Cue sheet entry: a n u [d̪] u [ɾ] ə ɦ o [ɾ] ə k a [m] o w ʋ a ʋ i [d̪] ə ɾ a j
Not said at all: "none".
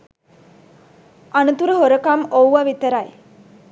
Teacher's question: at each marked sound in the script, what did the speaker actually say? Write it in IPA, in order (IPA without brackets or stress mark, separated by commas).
t̪, ɾ, ɾ, m, t̪